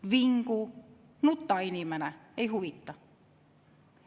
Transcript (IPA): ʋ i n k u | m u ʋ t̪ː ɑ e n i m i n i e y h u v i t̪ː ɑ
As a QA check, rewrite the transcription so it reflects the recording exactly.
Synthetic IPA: ʋ i ŋ k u | n u t̪ː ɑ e n i m æ n æ e i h u ʋ i t̪ː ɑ